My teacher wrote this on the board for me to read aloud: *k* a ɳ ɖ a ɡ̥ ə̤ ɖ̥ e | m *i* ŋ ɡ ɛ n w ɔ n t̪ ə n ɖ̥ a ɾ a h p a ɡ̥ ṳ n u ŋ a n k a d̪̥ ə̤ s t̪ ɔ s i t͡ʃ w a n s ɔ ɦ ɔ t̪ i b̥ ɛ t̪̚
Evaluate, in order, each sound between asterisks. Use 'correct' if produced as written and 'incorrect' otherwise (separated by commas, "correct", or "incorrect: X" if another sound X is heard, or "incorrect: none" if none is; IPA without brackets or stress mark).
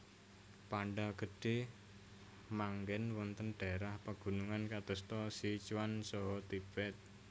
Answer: incorrect: p, incorrect: a